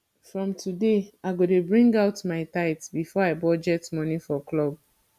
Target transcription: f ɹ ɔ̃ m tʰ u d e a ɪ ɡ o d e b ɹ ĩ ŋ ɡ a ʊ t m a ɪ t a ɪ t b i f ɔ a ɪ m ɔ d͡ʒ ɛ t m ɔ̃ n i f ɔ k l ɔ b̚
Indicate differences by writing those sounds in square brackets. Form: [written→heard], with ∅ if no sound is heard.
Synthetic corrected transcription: f ɹ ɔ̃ m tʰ u d e a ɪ ɡ o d e b ɹ ĩ ŋ ɡ a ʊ t m a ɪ t a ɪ t b i f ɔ a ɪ [m→b] ɔ d͡ʒ ɛ t m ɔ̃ n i f ɔ k l ɔ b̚